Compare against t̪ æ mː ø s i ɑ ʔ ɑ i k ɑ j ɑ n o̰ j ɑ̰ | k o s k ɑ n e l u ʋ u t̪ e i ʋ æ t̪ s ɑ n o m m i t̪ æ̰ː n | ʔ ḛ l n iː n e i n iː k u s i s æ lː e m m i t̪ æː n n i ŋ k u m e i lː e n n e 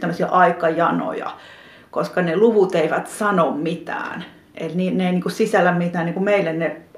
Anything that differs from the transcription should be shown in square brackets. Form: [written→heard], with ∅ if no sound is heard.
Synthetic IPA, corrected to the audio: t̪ æ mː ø s i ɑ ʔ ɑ i k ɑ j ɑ n o̰ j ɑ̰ | k o s k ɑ n e l u ʋ u t̪ e i ʋ æ t̪ s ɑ n o m m i t̪ æ̰ː n | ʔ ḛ l n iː n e i n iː k u s i s æ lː [e→æ] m m i t̪ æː n n i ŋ k u m e i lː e n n e